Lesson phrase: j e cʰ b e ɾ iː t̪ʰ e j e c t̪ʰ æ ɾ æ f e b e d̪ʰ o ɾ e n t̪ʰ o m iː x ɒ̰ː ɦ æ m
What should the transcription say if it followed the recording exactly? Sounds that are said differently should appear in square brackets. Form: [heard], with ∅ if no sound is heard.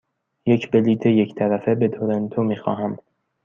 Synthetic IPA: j e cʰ b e [l] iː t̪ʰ e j e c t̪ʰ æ ɾ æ f e b e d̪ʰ o ɾ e n t̪ʰ o m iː x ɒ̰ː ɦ æ m